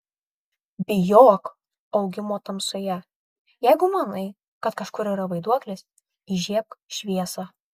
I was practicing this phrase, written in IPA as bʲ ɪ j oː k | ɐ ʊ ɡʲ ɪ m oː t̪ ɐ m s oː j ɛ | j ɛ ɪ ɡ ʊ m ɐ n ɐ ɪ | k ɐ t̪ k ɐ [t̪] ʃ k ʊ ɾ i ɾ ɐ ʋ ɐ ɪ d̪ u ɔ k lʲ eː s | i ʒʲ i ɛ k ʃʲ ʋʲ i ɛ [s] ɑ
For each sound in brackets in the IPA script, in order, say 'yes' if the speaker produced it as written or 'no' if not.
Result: no, yes

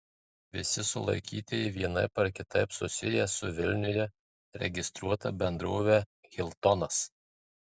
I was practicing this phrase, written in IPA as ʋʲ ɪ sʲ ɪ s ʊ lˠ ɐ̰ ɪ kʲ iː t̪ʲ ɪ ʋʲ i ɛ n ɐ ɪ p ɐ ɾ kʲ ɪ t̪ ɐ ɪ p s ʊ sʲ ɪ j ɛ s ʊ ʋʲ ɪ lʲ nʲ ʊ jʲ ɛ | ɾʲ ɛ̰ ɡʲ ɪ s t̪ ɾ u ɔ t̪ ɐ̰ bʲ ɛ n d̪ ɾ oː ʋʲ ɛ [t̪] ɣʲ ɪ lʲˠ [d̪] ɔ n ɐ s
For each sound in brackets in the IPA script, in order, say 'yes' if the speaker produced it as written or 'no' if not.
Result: no, no

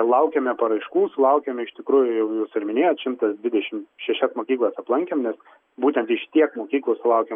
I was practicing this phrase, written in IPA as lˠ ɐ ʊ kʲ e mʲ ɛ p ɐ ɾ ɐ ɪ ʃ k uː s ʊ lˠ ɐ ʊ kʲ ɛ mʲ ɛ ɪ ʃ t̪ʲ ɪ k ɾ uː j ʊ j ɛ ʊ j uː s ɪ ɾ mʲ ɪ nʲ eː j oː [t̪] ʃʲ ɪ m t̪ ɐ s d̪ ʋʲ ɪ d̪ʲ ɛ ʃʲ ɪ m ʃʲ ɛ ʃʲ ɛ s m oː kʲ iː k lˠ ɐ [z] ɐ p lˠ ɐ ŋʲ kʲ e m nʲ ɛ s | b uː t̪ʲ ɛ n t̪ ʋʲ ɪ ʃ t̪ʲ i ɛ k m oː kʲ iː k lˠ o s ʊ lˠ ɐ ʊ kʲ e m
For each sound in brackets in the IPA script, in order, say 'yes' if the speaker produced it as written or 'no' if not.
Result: yes, no

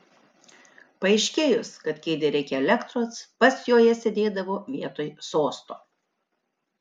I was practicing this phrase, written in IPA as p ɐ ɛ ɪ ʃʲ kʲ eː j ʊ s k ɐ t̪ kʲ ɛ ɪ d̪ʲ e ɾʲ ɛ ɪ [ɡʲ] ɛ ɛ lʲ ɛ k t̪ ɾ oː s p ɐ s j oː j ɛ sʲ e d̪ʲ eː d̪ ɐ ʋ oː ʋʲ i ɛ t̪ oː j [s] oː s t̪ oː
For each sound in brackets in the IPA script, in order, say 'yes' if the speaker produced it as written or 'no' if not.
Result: no, yes

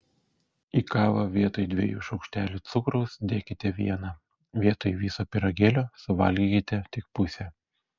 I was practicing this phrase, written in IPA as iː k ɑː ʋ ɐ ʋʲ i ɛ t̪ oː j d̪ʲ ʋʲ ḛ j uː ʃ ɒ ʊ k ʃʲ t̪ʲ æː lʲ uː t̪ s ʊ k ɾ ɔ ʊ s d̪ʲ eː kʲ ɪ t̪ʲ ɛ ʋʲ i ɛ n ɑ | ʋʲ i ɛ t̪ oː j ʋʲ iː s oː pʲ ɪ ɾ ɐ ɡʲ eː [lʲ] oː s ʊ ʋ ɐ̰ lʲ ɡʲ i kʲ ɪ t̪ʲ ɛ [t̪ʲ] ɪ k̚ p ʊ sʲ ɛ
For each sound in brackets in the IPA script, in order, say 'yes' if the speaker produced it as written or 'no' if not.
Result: yes, yes

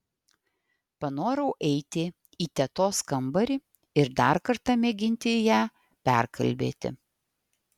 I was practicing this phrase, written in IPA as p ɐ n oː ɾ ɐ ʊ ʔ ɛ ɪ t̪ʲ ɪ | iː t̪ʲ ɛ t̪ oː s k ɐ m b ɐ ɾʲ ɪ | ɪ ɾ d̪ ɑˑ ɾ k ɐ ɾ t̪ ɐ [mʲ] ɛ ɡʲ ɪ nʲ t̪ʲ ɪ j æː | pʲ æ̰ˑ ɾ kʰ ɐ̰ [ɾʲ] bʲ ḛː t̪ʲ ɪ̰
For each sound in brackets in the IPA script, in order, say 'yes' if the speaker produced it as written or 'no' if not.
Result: yes, no

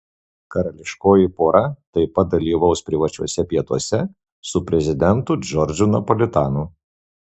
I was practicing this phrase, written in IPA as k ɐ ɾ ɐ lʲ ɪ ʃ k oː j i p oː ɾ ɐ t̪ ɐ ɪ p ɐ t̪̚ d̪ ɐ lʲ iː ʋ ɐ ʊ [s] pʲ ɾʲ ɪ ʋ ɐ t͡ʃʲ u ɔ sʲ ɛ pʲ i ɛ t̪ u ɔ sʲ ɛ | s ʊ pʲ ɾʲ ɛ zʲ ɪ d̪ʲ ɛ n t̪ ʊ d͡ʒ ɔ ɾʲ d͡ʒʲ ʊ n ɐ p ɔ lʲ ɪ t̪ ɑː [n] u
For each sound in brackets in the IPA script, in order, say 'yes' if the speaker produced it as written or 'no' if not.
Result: yes, yes

